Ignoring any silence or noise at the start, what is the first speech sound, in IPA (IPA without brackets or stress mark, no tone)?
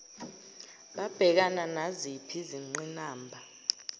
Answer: ɓ